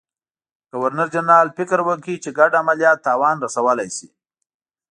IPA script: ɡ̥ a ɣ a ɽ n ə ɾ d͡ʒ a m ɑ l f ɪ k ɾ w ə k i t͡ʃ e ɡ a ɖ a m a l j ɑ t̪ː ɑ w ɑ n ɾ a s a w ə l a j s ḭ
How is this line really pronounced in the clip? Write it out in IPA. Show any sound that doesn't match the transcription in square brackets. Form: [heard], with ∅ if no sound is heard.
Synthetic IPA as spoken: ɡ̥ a [w] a [ɾ] n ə ɾ d͡ʒ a [n] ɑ l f ɪ k ɾ w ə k i t͡ʃ e ɡ a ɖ a m a l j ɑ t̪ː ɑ w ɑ n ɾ a s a w ə l a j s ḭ